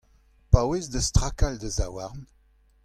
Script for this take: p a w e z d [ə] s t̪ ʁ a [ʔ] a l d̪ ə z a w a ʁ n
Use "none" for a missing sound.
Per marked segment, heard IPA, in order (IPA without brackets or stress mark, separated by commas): ə, k